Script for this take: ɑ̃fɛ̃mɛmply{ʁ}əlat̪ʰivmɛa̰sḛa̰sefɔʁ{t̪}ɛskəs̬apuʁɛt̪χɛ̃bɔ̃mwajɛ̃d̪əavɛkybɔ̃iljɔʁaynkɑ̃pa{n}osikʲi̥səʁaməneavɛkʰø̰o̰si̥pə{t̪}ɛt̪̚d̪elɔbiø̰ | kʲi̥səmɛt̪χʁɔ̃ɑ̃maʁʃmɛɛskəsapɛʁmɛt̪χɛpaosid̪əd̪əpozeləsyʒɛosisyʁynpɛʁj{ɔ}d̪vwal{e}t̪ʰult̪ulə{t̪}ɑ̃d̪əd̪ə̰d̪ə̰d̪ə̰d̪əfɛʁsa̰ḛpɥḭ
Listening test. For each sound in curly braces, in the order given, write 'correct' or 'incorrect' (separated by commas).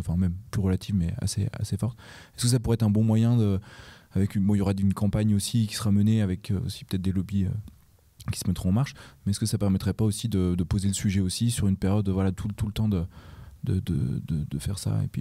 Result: correct, correct, incorrect, correct, correct, incorrect, correct